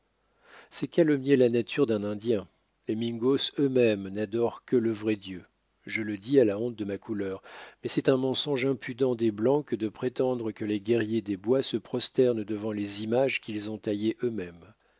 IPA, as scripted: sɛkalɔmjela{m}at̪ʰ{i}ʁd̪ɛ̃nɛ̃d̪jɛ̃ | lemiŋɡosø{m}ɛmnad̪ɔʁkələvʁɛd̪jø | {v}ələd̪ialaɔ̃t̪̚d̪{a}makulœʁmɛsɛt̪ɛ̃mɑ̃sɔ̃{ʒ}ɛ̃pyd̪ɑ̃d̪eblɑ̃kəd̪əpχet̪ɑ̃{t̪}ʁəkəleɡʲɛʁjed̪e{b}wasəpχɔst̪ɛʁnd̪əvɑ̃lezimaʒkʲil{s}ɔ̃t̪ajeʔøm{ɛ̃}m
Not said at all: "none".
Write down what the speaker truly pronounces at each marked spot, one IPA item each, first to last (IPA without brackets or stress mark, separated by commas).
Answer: n, y, m, ʒ, ə, ʒ, d̪, b, z, ɛ